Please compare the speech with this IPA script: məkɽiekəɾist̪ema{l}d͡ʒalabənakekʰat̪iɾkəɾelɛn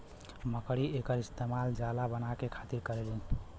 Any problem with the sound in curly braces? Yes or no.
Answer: no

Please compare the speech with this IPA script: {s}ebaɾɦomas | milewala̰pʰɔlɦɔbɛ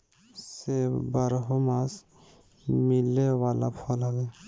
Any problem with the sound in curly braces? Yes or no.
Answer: no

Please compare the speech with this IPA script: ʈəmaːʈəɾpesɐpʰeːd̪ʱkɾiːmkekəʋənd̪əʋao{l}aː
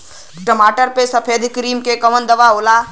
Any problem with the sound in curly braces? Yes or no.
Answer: no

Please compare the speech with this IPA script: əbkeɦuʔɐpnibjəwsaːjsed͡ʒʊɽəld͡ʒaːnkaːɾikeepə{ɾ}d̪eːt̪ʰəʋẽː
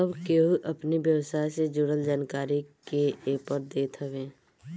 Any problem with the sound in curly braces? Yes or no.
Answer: no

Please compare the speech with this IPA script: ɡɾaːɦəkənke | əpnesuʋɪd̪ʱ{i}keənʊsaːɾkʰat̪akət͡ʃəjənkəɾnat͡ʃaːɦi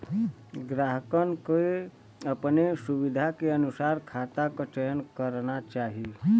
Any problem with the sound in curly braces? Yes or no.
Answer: yes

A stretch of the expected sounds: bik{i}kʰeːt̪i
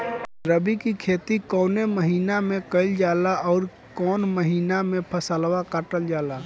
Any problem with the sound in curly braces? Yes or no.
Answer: no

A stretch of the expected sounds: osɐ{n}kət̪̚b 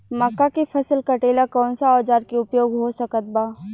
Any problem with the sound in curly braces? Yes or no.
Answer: yes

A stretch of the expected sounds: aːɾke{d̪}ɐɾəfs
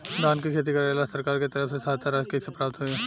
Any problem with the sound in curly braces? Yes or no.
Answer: yes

